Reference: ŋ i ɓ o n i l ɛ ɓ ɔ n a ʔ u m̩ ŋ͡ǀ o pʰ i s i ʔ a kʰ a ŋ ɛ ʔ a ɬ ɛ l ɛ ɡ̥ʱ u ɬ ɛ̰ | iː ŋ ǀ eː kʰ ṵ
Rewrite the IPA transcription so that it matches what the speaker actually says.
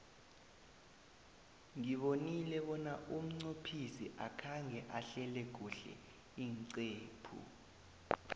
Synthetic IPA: ŋ i ɓ o n i l ɛ ɓ ɔ n a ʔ u m̩ ŋ͡ǀ o pʰ i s i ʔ a kʰ a ŋ ɛ ʔ a ɬ ɛ l ɛ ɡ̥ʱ u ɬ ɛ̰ | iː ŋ ǀ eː pʰ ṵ